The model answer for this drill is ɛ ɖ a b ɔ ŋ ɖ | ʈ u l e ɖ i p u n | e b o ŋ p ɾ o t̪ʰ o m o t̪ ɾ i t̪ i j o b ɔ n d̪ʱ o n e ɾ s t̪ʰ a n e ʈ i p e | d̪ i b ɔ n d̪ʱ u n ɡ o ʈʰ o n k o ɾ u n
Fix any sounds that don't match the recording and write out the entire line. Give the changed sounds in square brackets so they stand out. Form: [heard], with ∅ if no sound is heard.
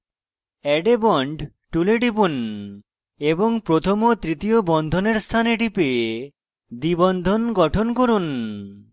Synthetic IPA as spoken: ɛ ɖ [e] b ɔ [ɳ] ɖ | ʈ u l e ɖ i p u n | e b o ŋ p ɾ o t̪ʰ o m o t̪ ɾ i t̪ i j o b ɔ n d̪ʱ o n e ɾ s t̪ʰ a n e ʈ i p e | d̪ i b ɔ n d̪ʱ [o] n ɡ [ɔ] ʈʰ o n k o ɾ u n

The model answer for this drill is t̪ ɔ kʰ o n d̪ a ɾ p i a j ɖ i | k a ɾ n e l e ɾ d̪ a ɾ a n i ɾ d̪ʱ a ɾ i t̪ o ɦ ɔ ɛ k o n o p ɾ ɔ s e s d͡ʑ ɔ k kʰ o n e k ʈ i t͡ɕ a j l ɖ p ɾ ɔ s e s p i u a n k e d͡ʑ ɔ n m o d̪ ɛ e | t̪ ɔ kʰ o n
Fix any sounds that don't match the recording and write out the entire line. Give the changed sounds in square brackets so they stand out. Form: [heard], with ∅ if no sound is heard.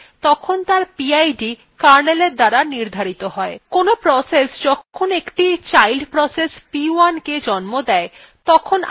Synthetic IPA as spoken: t̪ ɔ kʰ o n [t̪] a ɾ p i a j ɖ i | k a ɾ n e l e ɾ d̪ a ɾ a n i ɾ d̪ʱ a ɾ i t̪ o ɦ ɔ [e] k o n o p ɾ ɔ s e s d͡ʑ ɔ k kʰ o n e k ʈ i t͡ɕ a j l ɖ p ɾ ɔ s e s p i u a n k e d͡ʑ ɔ n m o d̪ ɛ e | t̪ ɔ kʰ o n

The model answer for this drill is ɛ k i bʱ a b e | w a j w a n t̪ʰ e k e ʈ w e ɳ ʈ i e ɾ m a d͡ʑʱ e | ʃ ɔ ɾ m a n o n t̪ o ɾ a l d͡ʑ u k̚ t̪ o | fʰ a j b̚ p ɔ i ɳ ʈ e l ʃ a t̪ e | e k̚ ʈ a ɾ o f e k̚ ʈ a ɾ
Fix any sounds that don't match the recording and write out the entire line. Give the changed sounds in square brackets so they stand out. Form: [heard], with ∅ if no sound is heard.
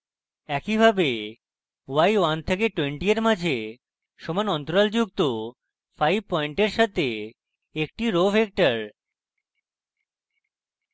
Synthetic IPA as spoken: ɛ k i bʱ a b e | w a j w a n t̪ʰ e k e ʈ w e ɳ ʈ i e ɾ m a d͡ʑʱ e | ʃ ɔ [∅] m a n [ɔ] n t̪ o ɾ a l d͡ʑ u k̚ t̪ o | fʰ a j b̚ p ɔ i ɳ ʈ e [ɾ] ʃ a t̪ e | e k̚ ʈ [i] ɾ o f e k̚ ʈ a ɾ

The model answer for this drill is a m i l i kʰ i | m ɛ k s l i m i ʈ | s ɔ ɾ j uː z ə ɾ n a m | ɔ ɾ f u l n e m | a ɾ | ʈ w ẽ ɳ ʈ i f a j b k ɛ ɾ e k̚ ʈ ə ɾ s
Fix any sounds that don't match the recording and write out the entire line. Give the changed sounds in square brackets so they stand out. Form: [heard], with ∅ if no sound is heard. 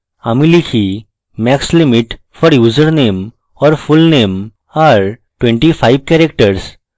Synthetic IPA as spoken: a m i l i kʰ i | m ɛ k s l i m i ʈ | [f] ɔ ɾ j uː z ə ɾ n [e] m | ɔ ɾ f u l n e m | a ɾ | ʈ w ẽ ɳ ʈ i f a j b k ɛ ɾ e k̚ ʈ ə ɾ s

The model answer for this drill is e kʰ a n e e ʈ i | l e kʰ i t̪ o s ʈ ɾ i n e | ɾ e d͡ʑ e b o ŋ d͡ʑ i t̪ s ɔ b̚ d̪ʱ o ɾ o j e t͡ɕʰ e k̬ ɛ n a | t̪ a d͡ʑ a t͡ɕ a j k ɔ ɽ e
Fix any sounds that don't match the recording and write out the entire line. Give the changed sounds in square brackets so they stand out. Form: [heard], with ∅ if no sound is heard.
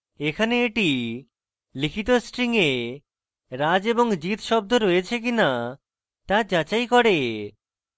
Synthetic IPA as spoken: e kʰ a n e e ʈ i | l [i] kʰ i t̪ o s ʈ ɾ i [ŋ] e | ɾ [a] d͡ʑ e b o ŋ d͡ʑ i t̪ [ʃ] ɔ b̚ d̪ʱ o ɾ o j e t͡ɕʰ e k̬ [i] n a | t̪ a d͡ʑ a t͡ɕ a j k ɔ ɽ e

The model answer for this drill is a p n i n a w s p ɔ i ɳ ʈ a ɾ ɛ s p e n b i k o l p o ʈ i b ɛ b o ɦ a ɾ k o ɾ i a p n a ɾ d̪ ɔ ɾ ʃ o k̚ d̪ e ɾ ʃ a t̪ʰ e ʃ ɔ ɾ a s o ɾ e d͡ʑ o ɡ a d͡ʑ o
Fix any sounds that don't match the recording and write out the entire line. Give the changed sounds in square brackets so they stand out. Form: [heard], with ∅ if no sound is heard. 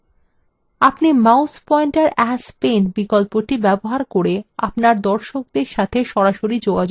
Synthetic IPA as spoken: a p n i [m] a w s p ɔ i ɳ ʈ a ɾ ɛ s p e n b i k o l p o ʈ i b ɛ b o ɦ a ɾ k o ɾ [e] a p n a ɾ d̪ ɔ ɾ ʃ o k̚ d̪ e ɾ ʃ a t̪ʰ e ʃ ɔ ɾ a [ʃ] o ɾ [i] d͡ʑ o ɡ a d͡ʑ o

